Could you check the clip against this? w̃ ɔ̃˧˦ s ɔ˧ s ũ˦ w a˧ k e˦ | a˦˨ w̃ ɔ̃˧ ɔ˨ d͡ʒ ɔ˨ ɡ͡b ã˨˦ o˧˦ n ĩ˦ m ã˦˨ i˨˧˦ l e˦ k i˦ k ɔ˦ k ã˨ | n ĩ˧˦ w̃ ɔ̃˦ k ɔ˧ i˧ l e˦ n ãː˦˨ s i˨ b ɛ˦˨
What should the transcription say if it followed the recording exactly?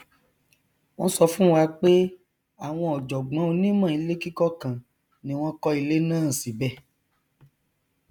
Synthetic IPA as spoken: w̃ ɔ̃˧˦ s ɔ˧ f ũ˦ w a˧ k͡p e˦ | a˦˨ w̃ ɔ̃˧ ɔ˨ d͡ʒ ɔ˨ ɡ͡b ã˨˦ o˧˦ n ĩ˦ m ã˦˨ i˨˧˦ l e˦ k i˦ k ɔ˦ k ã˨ | n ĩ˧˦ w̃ ɔ̃˦ k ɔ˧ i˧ l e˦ n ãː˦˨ s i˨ b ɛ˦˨